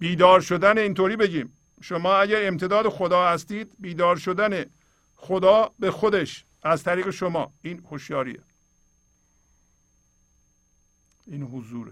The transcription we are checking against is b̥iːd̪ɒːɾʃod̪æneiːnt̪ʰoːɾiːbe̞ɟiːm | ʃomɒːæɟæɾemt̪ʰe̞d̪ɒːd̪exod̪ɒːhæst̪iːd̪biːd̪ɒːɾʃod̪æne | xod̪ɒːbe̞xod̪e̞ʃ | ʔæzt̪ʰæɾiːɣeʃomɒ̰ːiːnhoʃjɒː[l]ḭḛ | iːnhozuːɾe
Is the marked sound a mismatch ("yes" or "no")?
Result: yes